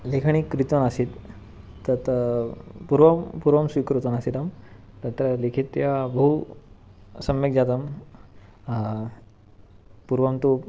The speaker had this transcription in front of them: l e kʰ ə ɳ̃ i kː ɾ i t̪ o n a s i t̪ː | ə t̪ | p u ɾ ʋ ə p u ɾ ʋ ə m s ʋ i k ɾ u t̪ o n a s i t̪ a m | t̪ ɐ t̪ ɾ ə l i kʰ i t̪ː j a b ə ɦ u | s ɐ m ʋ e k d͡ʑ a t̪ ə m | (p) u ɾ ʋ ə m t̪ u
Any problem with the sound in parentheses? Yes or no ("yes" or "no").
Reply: no